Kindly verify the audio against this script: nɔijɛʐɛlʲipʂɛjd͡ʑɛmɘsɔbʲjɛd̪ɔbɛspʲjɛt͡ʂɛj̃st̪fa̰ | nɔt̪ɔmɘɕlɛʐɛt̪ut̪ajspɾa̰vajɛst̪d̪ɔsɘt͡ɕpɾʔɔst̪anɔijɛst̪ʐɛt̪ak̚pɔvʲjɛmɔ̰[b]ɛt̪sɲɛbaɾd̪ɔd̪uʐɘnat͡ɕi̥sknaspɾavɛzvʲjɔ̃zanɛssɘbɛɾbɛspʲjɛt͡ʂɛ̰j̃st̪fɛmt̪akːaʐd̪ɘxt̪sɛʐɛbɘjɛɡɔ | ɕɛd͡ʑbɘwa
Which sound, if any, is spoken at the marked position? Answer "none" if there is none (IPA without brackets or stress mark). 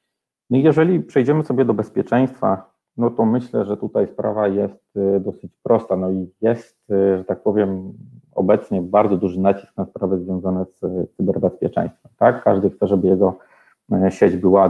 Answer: b